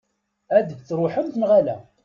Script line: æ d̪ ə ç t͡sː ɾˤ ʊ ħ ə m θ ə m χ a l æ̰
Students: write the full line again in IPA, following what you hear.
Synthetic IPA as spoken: æ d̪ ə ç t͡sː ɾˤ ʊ ħ ə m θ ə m ʁ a l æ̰